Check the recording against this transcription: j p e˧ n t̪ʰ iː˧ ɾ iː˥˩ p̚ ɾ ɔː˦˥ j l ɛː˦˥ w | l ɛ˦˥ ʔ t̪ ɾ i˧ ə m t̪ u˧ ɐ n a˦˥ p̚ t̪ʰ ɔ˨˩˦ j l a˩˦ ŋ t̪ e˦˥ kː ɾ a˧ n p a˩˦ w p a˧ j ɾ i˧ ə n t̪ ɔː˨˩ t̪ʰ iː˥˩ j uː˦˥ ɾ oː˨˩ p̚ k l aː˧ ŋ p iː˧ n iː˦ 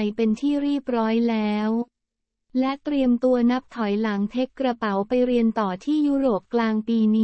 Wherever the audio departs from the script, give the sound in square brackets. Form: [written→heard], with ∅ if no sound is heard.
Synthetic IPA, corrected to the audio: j p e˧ n t̪ʰ [iː˧→iː˥˩] ɾ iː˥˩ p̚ ɾ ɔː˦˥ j l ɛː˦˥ w | l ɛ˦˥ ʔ t̪ ɾ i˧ ə m t̪ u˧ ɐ n a˦˥ p̚ t̪ʰ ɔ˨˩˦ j l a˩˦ ŋ [t̪→t̪ʰ] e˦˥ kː ɾ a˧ [n→∅] p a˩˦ w p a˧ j ɾ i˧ ə n t̪ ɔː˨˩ t̪ʰ iː˥˩ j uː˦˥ ɾ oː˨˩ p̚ k l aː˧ ŋ p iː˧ n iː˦

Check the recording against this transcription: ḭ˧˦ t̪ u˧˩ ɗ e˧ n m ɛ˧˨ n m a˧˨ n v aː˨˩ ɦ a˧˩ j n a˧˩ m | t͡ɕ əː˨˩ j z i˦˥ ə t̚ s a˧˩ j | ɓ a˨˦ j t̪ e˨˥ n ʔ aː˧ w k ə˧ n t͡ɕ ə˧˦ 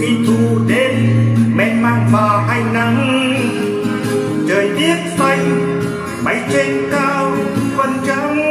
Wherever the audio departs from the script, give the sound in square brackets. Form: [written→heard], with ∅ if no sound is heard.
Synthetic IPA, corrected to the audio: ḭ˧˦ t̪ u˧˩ ɗ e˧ n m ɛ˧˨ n m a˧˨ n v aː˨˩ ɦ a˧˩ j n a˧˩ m | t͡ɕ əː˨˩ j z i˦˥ ə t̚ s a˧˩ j | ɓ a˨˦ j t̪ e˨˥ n [ʔ→k] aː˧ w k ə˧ n t͡ɕ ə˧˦

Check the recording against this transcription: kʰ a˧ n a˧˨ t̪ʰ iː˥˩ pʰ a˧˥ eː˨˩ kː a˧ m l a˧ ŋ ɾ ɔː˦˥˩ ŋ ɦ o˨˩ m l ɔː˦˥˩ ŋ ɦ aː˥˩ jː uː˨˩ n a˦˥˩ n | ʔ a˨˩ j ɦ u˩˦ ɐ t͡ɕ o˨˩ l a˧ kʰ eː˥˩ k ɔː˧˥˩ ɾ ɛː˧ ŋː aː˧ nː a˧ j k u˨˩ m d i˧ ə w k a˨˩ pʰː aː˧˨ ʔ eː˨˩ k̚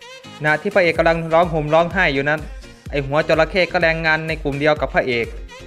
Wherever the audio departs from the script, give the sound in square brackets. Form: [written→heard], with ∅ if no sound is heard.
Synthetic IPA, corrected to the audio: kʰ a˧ n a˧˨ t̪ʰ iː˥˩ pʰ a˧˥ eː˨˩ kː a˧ m l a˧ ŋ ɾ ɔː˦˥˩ ŋ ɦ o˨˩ m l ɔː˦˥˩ ŋ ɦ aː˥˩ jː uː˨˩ n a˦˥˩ n | ʔ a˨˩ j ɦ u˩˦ ɐ t͡ɕ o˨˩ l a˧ kʰ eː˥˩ k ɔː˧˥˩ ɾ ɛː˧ ŋː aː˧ nː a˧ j k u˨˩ m d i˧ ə w k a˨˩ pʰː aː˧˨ ʔ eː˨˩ k̚

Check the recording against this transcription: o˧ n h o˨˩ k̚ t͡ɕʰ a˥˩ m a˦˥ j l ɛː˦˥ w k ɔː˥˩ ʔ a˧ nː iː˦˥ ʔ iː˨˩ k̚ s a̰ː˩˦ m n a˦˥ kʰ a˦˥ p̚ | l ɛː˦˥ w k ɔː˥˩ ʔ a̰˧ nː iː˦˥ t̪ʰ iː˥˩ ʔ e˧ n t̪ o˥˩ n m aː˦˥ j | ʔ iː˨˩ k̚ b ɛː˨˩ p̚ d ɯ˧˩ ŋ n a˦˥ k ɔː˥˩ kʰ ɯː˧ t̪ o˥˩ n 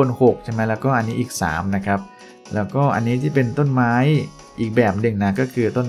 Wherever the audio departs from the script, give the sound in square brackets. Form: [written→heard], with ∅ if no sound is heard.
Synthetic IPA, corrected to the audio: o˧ n h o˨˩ k̚ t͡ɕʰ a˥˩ m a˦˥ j l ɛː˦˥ w k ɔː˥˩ ʔ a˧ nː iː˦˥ ʔ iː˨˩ k̚ s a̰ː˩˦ m n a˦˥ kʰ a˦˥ p̚ | l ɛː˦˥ w k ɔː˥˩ ʔ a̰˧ nː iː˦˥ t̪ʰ iː˥˩ [ʔ→p] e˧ n t̪ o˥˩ n m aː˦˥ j | ʔ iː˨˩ k̚ b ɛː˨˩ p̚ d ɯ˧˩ ŋ n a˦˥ k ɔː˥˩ kʰ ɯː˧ t̪ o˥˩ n

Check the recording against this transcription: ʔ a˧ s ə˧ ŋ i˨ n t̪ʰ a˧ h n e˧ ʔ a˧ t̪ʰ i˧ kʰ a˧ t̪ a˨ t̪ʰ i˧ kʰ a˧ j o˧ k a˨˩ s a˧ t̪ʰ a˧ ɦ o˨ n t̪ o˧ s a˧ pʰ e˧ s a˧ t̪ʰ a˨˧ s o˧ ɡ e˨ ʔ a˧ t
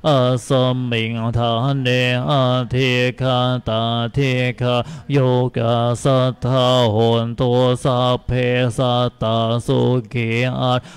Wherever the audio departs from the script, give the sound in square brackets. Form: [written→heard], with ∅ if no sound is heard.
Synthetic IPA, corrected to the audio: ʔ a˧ s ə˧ [ŋ→m] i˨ [n→ŋ] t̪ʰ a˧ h n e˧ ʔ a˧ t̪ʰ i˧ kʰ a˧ t̪ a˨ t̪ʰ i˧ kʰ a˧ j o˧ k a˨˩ s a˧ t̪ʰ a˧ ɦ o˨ n t̪ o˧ s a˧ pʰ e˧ s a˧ [t̪ʰ→t̪] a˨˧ s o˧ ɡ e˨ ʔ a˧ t

